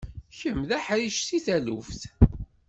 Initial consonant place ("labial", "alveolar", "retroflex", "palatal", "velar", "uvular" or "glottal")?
palatal